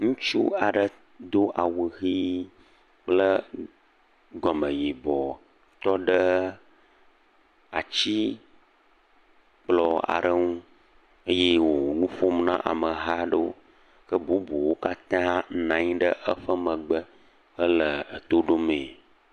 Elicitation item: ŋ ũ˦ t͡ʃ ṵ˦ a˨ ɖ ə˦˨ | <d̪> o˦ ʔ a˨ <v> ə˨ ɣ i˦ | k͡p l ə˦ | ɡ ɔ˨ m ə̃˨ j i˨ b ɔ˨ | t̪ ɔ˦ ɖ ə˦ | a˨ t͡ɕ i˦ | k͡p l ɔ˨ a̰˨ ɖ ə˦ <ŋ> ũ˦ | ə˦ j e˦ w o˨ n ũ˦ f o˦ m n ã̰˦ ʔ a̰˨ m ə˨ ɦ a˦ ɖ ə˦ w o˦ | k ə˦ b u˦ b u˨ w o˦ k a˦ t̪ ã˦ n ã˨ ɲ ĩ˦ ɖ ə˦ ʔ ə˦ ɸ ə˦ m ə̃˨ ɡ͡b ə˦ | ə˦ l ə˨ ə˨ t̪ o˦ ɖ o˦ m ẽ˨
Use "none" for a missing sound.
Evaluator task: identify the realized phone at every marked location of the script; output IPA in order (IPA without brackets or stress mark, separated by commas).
d̪, w, ŋ